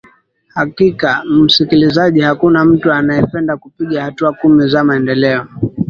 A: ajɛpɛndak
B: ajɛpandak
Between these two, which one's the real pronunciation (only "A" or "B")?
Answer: A